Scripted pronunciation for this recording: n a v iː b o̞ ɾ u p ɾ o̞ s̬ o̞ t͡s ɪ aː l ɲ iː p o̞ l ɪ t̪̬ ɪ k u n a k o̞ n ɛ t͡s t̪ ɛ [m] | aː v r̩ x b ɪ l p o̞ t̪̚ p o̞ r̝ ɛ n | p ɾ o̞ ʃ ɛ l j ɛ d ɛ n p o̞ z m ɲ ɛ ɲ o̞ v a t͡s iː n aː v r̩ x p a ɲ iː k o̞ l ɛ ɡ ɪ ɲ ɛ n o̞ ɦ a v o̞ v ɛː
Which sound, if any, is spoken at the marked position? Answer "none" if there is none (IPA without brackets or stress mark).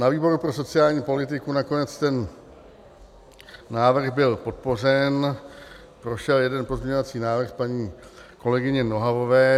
n